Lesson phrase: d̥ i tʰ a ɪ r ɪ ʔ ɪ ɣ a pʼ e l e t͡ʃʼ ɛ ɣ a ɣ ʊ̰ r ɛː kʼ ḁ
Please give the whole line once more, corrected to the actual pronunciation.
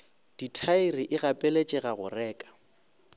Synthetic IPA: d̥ i tʰ a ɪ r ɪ ʔ ɪ ɣ a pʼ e l e t͡ʃʼ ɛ ɣ a ɣ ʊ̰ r ɛː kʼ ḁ

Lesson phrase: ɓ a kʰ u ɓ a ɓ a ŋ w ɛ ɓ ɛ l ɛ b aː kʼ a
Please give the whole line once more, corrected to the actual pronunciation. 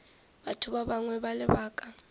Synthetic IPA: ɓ a tʰ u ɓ a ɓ a ŋ w ɛ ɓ a l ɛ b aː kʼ a

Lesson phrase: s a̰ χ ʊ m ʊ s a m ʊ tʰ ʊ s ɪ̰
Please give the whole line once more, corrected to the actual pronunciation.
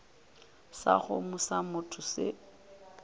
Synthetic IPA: s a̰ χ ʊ m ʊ s a m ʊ tʰ ʊ s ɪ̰

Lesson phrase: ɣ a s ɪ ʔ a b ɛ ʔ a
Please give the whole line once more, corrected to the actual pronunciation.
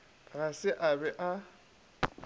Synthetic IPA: ɣ a s ɪ ʔ a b ɛ ʔ a

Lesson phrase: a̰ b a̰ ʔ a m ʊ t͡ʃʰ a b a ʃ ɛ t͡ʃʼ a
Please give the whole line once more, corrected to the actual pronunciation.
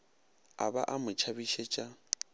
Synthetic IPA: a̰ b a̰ ʔ a m ʊ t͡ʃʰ a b i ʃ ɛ t͡ʃʼ a

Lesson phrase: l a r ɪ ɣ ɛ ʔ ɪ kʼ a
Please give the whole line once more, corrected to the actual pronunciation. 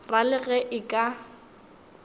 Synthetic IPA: r a l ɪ ɣ ɛ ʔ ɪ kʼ a

